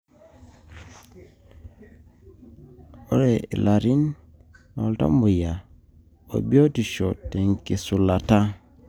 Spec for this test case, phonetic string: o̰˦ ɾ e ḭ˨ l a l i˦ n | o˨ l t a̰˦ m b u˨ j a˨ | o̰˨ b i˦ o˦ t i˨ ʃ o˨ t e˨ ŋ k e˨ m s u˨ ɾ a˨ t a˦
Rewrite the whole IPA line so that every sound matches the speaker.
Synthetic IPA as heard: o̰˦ ɾ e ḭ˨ l a ɾ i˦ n | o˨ l t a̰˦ m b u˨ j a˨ | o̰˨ b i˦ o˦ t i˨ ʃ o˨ t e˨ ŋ k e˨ s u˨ l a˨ t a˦